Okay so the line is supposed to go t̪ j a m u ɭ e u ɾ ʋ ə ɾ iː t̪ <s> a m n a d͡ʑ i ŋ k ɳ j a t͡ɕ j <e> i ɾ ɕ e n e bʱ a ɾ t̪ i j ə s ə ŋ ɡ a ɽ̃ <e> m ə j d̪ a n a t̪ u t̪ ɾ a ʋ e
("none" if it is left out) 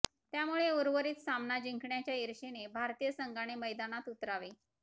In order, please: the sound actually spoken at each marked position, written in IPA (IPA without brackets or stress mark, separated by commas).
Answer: s, a, e